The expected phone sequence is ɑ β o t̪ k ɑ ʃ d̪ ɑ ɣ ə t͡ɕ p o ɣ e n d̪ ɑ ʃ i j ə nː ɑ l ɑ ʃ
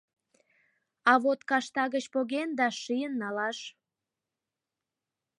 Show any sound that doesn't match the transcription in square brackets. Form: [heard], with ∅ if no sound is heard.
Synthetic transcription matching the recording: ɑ β o t̪ k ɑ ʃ [t̪] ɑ ɣ ə t͡ɕ p o ɣ e n d̪ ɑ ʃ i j ə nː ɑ l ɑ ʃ